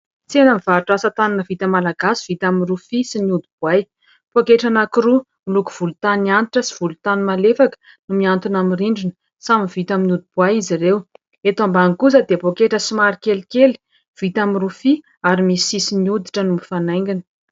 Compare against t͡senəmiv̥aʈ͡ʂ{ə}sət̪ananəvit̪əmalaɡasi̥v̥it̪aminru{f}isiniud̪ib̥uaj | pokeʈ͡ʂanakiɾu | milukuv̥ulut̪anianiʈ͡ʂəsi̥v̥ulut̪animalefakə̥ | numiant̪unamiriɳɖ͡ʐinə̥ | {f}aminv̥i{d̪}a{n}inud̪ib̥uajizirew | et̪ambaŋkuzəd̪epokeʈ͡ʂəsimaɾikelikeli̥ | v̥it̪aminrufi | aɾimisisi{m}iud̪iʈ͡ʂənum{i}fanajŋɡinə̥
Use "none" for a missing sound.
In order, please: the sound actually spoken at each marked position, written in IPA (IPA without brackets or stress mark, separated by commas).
a, f, s, t̪, m, n, i